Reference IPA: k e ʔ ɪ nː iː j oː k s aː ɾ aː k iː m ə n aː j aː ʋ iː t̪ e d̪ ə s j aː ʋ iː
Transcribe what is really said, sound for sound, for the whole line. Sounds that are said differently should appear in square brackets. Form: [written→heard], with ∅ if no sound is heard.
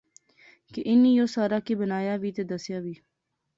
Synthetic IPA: k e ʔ ɪ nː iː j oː [k→∅] s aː ɾ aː k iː [m→b] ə n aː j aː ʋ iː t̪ e d̪ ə s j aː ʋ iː